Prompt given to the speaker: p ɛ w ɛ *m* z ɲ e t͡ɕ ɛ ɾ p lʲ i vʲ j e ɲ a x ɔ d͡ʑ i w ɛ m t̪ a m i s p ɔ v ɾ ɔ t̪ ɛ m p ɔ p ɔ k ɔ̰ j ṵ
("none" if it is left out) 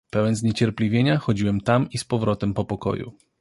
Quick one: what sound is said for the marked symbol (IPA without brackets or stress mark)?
n